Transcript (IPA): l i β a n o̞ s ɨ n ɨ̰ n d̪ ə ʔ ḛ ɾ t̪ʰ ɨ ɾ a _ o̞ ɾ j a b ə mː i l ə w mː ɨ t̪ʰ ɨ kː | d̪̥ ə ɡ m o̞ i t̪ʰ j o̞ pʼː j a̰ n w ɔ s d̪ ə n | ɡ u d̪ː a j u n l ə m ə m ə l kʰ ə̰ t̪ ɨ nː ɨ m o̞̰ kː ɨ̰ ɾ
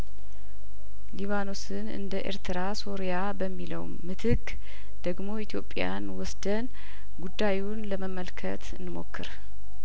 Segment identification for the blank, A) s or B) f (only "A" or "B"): A